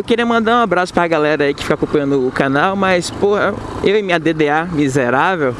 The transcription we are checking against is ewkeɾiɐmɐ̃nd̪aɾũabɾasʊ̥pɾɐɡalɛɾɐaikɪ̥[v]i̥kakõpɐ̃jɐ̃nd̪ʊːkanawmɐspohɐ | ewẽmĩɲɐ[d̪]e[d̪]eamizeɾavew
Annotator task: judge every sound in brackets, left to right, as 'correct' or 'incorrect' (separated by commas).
incorrect, correct, correct